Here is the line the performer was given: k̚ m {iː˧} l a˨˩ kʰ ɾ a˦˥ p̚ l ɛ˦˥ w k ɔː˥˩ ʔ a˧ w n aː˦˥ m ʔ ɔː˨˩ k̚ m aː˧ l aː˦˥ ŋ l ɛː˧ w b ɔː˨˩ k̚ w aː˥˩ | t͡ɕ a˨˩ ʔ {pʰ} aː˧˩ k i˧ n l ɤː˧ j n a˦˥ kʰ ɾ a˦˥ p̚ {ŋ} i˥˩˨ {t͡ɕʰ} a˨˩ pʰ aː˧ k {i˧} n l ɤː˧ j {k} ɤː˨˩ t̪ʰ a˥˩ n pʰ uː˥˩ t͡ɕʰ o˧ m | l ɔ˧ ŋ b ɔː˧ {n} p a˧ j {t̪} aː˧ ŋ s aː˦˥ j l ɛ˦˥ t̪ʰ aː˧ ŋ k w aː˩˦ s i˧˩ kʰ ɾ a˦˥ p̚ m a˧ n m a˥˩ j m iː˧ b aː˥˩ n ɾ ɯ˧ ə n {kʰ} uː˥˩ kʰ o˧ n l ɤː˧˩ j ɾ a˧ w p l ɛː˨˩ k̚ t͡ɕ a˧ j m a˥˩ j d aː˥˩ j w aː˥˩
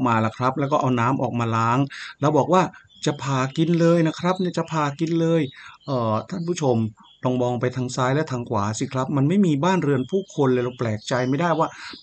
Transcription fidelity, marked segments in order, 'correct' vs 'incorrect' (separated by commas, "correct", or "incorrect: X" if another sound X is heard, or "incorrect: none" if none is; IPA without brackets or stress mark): incorrect: aː˧, correct, incorrect: n, incorrect: t͡ɕ, correct, incorrect: ʔ, incorrect: ŋ, incorrect: t̪ʰ, incorrect: pʰ